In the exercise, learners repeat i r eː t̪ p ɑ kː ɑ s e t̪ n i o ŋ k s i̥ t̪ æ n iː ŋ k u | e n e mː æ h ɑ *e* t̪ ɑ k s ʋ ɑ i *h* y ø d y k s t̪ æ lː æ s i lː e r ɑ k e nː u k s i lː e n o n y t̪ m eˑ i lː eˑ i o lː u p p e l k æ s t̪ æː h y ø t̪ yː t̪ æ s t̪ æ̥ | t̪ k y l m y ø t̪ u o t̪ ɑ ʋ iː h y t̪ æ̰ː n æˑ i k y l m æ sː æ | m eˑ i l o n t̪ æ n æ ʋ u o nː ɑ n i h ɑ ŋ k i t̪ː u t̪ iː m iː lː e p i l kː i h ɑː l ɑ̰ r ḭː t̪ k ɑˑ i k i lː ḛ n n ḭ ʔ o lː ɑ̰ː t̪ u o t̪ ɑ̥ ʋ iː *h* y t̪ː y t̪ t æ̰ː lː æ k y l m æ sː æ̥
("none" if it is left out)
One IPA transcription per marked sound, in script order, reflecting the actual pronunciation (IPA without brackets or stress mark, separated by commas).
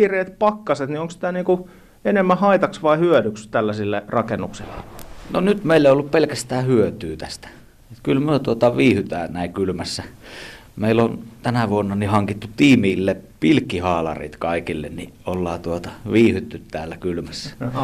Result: i, h, h